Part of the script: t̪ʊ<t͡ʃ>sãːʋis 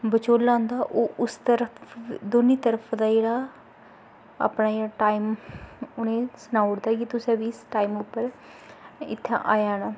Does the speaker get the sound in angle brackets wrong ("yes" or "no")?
yes